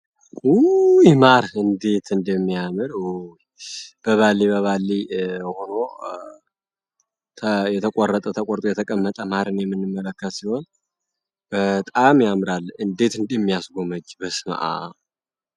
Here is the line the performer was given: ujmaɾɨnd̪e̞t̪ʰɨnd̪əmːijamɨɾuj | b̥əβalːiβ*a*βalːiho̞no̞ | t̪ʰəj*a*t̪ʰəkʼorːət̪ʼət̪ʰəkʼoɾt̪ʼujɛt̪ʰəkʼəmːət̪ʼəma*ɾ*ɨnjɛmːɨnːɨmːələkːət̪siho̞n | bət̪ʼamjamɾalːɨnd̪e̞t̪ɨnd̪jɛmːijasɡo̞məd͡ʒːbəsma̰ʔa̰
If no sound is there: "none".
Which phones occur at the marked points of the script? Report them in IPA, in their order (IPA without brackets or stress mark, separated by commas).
ə, ɛ, ɾ